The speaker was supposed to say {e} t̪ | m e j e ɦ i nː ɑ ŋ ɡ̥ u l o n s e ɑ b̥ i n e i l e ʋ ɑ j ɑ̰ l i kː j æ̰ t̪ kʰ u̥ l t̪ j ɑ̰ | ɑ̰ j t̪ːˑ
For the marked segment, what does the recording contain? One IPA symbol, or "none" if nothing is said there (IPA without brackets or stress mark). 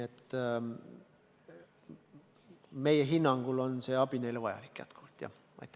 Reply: e